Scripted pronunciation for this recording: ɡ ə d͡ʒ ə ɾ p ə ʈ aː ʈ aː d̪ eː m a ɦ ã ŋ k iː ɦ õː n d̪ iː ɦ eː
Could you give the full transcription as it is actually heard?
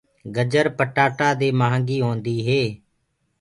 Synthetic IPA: ɡ ə d͡ʒ ə ɾ p ə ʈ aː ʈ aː d̪ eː m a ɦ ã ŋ ɡ iː ɦ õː n d̪ iː ɦ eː